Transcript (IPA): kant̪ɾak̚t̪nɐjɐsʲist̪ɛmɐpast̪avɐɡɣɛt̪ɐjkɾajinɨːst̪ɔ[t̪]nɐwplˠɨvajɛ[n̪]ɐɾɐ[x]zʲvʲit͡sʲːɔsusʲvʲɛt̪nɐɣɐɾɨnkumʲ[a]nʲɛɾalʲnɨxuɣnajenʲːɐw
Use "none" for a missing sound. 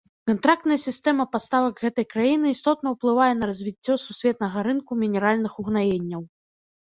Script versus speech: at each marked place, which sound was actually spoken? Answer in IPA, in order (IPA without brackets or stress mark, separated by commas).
t̪, n̪, none, i